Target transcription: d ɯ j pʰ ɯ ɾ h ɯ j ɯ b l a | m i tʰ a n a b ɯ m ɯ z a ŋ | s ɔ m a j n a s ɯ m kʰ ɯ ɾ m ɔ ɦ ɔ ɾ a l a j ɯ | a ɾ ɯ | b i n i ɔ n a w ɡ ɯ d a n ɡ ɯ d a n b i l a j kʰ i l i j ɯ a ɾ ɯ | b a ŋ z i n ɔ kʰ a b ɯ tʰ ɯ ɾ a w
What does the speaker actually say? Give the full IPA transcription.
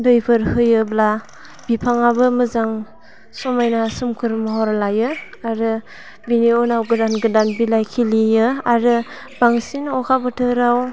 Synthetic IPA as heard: d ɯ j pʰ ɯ ɾ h ɯ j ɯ b l a | b i pʰ a ŋ a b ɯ m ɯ z a ŋ | s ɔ m a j n a s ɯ m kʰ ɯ ɾ m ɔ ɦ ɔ ɾ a l a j ɯ | a ɾ ɯ | b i n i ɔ n a w ɡ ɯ d a n ɡ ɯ d a n b i l a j kʰ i l i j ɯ a ɾ ɯ | b a ŋ s i n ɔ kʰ a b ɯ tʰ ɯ ɾ a w